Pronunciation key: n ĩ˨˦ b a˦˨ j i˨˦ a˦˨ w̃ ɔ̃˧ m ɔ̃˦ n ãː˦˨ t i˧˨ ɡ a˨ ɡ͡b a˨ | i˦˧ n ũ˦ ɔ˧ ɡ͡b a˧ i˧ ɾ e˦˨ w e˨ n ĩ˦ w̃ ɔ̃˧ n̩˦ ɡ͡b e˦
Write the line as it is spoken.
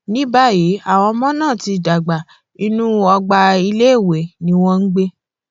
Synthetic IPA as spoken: n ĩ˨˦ b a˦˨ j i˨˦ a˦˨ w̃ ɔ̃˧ m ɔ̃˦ n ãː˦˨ t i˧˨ d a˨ ɡ͡b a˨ | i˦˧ n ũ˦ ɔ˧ ɡ͡b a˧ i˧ l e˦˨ w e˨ n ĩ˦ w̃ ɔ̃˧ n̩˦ ɡ͡b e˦